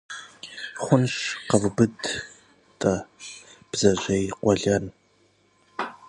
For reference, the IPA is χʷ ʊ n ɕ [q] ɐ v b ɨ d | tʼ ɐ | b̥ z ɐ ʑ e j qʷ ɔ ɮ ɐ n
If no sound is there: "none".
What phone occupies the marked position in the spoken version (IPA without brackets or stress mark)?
q